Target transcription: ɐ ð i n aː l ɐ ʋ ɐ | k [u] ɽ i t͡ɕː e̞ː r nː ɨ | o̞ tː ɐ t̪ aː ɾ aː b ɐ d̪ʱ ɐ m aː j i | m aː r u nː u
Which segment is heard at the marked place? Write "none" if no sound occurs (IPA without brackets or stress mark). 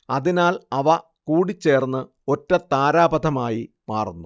uː